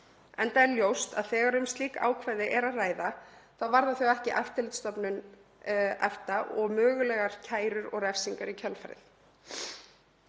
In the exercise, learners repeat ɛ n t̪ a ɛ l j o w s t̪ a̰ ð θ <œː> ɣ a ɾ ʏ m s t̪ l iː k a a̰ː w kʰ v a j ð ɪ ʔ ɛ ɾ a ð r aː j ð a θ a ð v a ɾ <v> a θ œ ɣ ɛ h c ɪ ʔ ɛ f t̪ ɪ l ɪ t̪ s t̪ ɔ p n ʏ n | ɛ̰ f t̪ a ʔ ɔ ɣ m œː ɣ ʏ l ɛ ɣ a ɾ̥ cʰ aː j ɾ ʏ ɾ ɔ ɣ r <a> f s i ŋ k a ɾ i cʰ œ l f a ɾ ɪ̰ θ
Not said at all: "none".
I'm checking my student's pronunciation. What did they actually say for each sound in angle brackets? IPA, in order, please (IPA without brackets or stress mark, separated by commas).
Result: ɛː, ð, ɛ